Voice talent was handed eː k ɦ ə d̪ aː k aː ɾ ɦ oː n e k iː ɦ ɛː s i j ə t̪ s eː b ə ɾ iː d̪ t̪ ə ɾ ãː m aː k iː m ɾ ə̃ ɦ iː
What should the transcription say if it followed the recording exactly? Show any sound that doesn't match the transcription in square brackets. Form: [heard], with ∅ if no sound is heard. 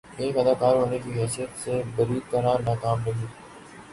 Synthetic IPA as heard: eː k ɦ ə d̪ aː k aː ɾ ɦ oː n e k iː ɦ ɛː s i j ə t̪ s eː b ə ɾ iː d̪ t̪ ə ɾ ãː [n] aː k [aː] m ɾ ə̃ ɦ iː